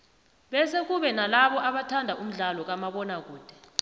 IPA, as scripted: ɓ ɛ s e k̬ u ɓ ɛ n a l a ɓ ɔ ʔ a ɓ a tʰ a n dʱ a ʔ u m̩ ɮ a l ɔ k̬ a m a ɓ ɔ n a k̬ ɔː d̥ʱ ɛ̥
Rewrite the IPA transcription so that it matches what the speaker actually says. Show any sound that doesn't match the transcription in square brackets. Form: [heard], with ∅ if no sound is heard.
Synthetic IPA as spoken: ɓ ɛ s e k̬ u ɓ ɛ n a l a ɓ ɔ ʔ a ɓ a tʰ a n dʱ a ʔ u m̩ ɮ a l ɔ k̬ a m a ɓ ɔ n a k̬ [uː] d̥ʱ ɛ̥